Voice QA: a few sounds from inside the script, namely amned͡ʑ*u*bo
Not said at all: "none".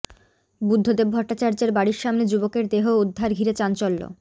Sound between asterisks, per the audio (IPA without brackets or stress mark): u